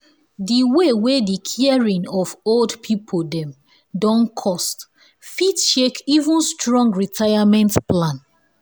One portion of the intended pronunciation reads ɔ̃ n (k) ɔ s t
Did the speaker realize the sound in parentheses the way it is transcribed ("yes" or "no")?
no